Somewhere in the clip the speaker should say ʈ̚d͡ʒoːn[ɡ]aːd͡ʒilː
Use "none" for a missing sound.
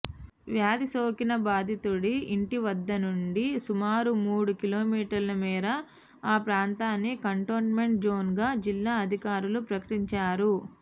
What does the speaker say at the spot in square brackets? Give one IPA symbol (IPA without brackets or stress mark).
ɡ